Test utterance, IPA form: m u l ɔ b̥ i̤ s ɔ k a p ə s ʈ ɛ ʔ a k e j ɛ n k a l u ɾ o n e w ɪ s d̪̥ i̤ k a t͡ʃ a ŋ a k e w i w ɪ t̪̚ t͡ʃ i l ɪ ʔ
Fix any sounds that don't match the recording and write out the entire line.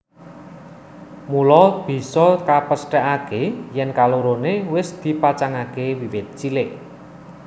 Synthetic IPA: m u l ɔ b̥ i̤ s ɔ k a p ə s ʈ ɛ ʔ a k e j ɛ n k a l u ɾ o n e w ɪ s d̪̥ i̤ p a t͡ʃ a ŋ a k e w i w ɪ t̪̚ t͡ʃ i l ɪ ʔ